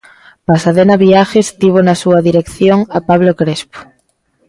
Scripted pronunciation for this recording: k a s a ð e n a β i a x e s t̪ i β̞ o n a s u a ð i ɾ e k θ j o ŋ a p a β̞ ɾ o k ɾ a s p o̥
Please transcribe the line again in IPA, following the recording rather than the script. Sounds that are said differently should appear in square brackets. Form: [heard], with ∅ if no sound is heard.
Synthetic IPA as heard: [p] a s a ð e n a β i a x e s t̪ i β̞ o n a s u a ð i ɾ e k θ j o ŋ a p a β̞ [l] o k ɾ [e] s p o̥